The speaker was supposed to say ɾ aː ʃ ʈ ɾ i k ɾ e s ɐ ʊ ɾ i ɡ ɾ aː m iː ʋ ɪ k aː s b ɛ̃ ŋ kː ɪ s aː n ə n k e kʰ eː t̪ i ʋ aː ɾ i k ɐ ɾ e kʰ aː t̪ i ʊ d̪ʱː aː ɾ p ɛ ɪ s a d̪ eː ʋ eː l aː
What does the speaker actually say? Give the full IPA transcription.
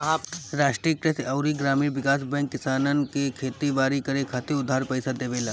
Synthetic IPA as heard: ɾ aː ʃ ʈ ɾ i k ɾ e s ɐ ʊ ɾ i ɡ ɾ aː m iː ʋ ɪ k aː s b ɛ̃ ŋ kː ɪ s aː n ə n k e kʰ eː t̪ i ʋ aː ɾ i k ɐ ɾ e kʰ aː t̪ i ʊ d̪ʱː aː ɾ p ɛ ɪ s a d̪ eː ʋ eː l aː

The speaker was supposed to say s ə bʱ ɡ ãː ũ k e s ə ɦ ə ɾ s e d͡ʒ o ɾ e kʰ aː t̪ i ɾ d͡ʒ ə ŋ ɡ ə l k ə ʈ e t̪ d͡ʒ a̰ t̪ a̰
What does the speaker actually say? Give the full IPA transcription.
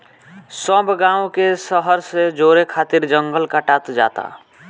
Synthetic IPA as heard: s ə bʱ ɡ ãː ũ k e s ə ɦ ə ɾ s e d͡ʒ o ɾ e kʰ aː t̪ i ɾ d͡ʒ ə ŋ ɡ ə l k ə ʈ a t̪ d͡ʒ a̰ t̪ a̰

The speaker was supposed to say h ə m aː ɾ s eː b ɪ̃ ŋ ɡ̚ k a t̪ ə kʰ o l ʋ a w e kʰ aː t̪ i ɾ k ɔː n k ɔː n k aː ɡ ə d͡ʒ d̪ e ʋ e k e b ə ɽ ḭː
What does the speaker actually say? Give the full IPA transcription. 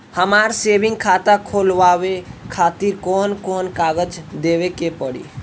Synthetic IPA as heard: h ə m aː ɾ s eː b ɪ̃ ŋ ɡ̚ kʰ a t̪ a kʰ o l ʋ a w e kʰ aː t̪ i ɾ k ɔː n k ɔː n k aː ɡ ə d͡ʒ d̪ e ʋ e k e p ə ɽ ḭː

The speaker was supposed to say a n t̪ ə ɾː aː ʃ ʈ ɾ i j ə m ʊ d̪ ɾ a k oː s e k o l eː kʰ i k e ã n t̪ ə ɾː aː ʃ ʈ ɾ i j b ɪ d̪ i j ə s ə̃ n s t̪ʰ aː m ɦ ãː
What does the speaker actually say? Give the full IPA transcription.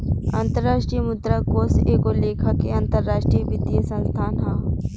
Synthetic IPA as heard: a n t̪ ə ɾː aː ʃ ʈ ɾ i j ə m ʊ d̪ ɾ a k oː s e k o l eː kʰ a k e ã n t̪ ə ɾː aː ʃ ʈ ɾ i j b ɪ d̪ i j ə s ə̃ n s t̪ʰ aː n ɦ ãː

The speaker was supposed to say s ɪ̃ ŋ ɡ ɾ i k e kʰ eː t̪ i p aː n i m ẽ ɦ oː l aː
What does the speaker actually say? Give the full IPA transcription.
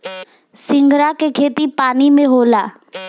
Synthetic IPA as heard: s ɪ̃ ŋ ɡ ɾ a k e kʰ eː t̪ i p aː n i m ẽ ɦ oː l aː

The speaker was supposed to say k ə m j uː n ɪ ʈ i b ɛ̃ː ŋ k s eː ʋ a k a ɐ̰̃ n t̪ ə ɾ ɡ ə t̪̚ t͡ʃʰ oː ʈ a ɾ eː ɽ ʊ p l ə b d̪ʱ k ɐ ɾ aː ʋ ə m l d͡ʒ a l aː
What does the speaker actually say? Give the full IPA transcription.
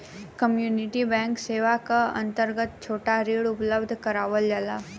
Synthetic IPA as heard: k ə m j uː n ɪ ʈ i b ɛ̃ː ŋ k s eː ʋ a k a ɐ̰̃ n t̪ ə ɾ ɡ ə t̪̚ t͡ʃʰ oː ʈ a ɾ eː ɽ ʊ p l ə b d̪ʱ k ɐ ɾ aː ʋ ə l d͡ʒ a l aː

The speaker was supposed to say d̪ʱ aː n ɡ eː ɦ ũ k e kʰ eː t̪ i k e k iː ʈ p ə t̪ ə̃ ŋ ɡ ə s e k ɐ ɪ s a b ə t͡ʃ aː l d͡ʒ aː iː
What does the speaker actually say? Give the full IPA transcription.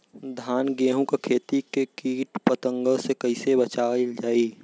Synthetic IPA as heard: d̪ʱ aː n ɡ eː ɦ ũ k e kʰ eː t̪ i k e k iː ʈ p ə t̪ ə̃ ŋ ɡ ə s e k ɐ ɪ s e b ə t͡ʃ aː l d͡ʒ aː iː

